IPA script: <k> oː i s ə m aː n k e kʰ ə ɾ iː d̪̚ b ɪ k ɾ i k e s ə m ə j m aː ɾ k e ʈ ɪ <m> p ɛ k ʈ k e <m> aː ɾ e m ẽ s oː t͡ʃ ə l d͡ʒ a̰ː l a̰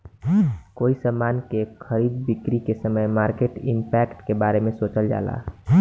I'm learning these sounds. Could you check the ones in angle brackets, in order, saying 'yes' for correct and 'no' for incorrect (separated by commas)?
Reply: yes, yes, no